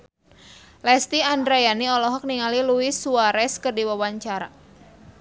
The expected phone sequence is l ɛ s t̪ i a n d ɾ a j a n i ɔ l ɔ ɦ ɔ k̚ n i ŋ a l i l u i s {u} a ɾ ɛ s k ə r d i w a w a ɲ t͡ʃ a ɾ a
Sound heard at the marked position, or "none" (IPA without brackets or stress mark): u